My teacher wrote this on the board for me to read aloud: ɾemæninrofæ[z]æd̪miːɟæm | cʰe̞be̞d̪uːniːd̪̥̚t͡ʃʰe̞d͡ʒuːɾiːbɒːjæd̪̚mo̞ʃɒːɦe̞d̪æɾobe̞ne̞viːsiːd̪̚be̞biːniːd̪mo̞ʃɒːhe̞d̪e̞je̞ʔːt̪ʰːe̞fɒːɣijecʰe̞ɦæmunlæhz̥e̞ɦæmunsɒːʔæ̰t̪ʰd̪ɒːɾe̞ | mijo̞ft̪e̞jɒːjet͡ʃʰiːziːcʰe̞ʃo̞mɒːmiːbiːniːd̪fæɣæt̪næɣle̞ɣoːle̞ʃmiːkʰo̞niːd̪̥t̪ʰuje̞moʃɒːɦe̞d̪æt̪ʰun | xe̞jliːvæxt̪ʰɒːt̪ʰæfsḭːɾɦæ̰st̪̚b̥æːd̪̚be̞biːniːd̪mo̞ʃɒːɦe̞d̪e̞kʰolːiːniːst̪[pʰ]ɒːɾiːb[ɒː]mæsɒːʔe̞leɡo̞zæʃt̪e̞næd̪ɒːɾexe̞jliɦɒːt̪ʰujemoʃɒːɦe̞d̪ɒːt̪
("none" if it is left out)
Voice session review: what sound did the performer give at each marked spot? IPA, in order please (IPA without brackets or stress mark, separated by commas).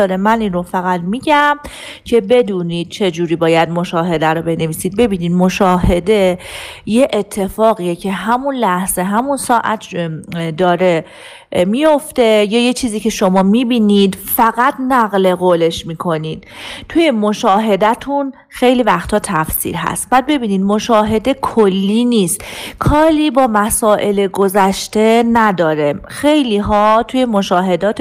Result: ɣ, kʰ, ɒː